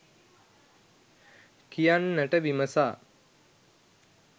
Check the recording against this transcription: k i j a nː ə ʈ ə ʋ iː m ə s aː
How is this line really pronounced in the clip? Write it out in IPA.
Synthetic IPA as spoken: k i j a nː ə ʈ ə ʋ i m ə s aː

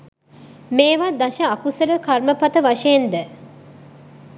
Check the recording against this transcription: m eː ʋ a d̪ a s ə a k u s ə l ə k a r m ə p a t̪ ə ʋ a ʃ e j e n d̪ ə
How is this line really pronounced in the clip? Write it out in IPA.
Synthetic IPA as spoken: m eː ʋ a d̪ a ʃ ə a k u s ə l ə k a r m ə p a t̪ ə ʋ a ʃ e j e n d̪ ə

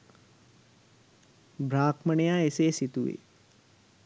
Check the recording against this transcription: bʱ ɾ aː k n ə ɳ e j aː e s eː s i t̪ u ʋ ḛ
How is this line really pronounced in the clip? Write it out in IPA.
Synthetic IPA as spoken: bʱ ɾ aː k m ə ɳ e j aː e s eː s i t̪ u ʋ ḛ

